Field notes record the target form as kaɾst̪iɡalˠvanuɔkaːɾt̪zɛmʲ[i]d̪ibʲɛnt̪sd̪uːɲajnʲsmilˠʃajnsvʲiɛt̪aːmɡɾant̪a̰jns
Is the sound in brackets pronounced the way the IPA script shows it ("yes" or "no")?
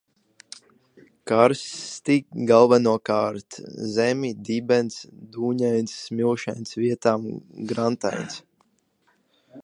yes